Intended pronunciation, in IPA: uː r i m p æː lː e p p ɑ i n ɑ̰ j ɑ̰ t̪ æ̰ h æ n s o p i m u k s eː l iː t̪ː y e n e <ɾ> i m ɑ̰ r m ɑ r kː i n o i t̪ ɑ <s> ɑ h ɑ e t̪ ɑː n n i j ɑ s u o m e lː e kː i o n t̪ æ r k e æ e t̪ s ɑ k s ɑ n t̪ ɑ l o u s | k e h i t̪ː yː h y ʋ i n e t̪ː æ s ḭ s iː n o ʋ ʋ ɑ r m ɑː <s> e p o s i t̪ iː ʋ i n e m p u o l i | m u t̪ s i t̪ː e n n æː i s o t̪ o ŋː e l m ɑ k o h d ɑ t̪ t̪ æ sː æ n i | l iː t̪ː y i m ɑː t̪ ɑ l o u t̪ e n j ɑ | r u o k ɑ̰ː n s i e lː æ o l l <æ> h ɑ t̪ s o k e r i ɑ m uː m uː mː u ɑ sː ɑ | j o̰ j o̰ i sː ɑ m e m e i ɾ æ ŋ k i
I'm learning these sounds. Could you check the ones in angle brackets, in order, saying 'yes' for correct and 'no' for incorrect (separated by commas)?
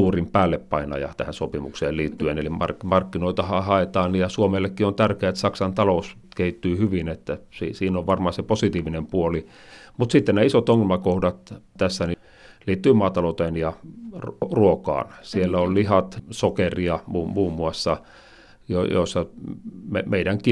no, no, yes, no